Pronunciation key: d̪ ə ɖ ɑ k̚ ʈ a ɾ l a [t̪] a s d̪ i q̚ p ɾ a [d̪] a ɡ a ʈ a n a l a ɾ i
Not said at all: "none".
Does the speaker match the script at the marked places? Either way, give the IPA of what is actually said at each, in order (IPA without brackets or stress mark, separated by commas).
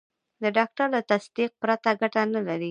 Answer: t̪, t̪